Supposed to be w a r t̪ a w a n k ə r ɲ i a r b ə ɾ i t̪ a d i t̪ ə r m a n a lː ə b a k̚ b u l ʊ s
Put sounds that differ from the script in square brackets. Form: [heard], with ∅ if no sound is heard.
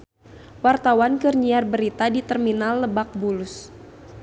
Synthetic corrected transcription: w a r t̪ a w a n k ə r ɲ i a r b ə ɾ i t̪ a d i t̪ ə r m [i] n a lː ə b a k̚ b u l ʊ s